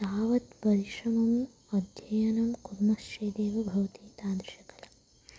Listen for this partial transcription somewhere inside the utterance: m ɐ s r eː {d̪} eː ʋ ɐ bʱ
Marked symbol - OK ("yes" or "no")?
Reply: yes